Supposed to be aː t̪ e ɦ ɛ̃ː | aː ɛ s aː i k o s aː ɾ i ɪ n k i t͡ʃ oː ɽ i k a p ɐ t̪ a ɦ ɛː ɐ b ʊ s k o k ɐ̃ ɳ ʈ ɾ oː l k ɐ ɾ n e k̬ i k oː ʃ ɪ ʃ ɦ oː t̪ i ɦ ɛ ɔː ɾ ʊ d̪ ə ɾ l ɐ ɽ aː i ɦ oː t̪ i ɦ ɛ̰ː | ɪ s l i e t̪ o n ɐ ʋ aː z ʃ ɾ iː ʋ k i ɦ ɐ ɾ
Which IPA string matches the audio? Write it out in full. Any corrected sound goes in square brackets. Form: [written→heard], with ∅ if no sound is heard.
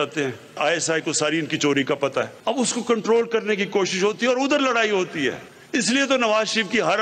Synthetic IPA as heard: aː t̪ e ɦ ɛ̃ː | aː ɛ s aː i k o s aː ɾ i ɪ n k i t͡ʃ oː [ɽ→ɾ] i k a p ɐ t̪ a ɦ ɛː ɐ b ʊ s k o k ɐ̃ ɳ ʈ ɾ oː l k ɐ ɾ n e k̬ i k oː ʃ ɪ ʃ ɦ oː t̪ i ɦ ɛ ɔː ɾ ʊ d̪ ə ɾ l ɐ ɽ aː i ɦ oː t̪ i ɦ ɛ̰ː | ɪ s l i e t̪ o n ɐ ʋ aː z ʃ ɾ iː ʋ k i ɦ ɐ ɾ